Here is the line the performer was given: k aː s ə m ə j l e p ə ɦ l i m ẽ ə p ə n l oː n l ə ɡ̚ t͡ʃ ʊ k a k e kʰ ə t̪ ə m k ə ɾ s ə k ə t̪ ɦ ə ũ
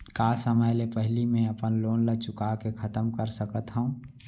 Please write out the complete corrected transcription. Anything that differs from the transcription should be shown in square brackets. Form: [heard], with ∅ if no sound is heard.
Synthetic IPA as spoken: k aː s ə m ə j l e p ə ɦ l i m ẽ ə p ə n l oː n l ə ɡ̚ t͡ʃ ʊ k a k e kʰ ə t̪ ə m k ə ɾ s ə k ə t̪ ɦ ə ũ